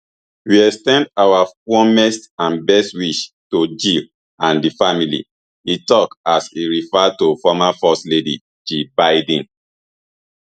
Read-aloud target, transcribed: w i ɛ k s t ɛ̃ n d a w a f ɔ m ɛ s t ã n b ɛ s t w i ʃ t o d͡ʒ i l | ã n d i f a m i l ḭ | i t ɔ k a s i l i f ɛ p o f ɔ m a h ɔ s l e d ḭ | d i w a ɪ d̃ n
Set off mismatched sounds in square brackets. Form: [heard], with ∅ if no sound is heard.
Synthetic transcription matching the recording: w i ɛ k s t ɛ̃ n d a w a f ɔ m ɛ s t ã n b ɛ s t w i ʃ t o d͡ʒ i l | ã n d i f a m i l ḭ | i t ɔ k a s i [ɹ] i f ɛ [t] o f ɔ m a [f] ɔ s l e d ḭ | [d͡ʒ] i [b] a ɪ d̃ n